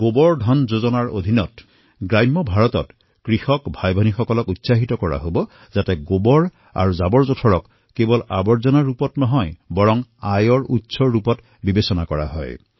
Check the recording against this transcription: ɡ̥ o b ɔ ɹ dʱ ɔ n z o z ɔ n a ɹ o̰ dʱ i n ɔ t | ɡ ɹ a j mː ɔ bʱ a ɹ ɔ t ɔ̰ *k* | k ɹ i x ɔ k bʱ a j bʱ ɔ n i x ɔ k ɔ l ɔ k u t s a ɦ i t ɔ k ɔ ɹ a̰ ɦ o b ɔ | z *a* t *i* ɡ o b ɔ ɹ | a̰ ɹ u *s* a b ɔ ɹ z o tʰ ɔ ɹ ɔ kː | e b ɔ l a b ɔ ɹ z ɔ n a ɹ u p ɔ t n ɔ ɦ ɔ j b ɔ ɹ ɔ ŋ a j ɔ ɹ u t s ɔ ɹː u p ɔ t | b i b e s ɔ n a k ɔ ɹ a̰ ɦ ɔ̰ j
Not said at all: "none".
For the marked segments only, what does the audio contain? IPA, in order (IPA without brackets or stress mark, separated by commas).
t, a, ɛ, z